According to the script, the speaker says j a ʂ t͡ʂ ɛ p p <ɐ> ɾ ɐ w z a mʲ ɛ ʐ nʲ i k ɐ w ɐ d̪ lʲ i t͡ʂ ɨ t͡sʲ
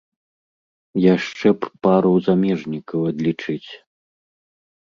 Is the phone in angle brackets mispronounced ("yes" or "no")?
yes